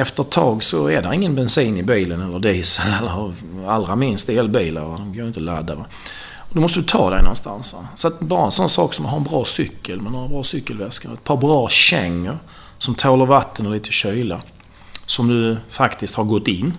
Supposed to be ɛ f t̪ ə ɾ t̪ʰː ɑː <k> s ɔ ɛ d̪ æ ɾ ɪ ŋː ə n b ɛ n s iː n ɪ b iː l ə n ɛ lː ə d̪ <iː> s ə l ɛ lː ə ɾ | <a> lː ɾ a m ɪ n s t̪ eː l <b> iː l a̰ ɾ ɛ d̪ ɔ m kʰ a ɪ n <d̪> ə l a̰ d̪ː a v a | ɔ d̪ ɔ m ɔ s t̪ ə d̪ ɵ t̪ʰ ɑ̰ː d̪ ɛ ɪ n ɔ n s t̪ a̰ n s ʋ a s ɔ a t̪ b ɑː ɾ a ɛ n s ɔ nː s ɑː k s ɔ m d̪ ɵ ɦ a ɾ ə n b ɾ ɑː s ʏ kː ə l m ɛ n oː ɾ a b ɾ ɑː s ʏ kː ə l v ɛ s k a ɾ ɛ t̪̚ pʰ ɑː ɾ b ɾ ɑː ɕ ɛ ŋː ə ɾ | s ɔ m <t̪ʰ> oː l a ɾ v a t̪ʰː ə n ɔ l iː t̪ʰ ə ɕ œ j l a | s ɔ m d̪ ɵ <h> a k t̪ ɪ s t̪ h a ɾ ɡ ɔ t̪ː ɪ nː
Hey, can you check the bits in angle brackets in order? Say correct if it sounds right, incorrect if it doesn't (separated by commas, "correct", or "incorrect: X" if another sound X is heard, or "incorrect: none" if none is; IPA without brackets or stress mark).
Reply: incorrect: ɡ, correct, correct, correct, incorrect: t̪, correct, incorrect: f